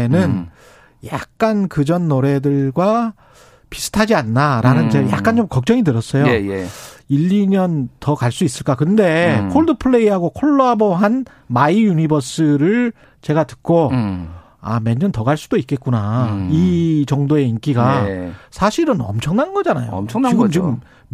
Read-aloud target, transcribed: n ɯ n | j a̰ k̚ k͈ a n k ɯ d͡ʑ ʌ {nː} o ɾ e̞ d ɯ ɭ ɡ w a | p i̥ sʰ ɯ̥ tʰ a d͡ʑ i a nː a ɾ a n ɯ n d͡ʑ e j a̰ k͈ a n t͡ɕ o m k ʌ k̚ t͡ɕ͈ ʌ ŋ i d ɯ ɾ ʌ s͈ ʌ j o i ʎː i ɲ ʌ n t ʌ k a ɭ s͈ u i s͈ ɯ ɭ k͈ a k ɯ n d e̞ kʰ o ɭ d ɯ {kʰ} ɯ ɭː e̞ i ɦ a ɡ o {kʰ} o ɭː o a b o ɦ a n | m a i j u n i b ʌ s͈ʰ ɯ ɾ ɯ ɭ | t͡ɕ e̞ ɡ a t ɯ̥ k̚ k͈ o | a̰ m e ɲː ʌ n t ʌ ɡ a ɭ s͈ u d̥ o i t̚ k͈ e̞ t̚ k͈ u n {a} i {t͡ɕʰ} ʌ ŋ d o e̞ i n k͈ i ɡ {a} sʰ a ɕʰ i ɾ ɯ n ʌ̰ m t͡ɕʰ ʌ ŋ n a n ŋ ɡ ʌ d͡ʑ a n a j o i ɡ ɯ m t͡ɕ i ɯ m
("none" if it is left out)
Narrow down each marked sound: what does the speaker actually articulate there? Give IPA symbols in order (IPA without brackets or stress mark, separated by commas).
nː, pʰ, kʰ, a, t͡ɕ, a